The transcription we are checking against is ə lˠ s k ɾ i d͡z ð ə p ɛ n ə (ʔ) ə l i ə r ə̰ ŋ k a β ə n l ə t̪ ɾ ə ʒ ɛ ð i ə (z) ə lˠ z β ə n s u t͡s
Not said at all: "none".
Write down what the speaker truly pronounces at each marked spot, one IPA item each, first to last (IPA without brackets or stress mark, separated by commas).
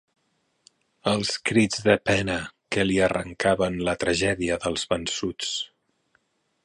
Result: k, ð